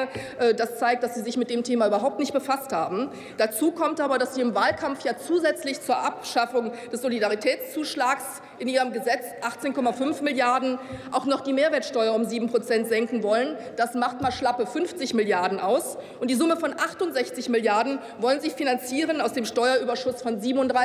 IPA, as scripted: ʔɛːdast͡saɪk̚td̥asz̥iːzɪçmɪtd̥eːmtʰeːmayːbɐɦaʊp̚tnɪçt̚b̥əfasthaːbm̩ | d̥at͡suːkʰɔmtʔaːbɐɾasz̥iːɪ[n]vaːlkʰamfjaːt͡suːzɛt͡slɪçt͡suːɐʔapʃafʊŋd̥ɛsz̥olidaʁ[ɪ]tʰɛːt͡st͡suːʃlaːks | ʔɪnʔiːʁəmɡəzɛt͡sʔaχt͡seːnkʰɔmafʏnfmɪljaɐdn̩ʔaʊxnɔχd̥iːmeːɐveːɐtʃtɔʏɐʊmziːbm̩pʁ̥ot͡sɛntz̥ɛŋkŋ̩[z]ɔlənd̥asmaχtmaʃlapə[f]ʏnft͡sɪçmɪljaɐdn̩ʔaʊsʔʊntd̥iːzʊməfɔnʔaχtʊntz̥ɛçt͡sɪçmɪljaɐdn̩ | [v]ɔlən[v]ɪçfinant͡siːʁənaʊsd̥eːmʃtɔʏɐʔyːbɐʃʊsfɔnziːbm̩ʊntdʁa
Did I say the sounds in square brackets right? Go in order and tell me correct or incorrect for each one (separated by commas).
incorrect, incorrect, incorrect, correct, correct, incorrect